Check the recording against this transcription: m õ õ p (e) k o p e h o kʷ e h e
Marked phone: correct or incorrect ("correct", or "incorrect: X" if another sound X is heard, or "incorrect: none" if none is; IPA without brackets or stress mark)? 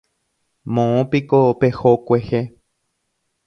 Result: incorrect: i